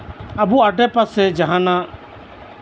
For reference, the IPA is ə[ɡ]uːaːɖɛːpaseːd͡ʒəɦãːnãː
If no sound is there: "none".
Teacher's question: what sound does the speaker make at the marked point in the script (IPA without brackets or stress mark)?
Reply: b